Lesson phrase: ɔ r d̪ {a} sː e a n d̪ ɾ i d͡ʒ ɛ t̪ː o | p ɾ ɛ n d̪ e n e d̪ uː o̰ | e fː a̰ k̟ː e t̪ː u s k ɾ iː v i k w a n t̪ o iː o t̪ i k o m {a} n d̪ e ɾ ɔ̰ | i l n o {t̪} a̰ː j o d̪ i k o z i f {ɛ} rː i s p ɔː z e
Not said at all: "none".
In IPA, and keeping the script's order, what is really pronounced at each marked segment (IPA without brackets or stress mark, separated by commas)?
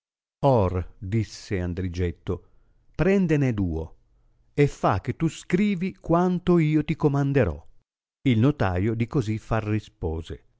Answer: i, a, t̪, a